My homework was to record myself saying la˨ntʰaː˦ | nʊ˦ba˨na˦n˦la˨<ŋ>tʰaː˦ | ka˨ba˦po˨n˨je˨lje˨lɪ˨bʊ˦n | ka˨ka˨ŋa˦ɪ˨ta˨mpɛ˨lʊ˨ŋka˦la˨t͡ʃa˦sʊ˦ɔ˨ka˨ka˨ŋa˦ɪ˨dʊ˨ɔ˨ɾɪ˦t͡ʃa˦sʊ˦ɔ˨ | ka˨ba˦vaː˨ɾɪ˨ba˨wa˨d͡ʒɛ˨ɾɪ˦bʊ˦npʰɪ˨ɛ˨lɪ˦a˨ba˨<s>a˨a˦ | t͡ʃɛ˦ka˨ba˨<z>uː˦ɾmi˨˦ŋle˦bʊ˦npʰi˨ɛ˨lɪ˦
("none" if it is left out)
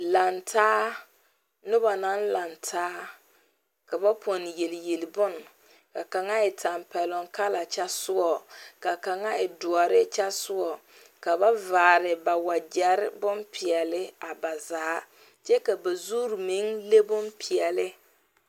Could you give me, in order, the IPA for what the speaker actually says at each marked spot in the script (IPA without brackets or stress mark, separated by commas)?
n, z, z